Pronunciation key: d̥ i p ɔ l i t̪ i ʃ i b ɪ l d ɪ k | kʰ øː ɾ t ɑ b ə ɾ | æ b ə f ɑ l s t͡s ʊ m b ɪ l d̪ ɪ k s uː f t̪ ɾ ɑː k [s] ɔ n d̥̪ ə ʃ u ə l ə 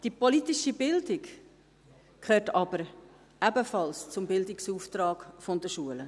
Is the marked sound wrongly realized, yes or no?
yes